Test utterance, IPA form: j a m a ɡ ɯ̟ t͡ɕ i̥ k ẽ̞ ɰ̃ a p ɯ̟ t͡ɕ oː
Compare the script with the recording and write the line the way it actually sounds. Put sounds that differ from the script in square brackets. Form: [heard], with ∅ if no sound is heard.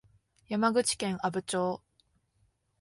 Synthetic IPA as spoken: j a m a ɡ ɯ̟ t͡ɕ i̥ k ẽ̞ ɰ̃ a [b] ɯ̟ t͡ɕ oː